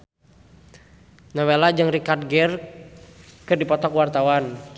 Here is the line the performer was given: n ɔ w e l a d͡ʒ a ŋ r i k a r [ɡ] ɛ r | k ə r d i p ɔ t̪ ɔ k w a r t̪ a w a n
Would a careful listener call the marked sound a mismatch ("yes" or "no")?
no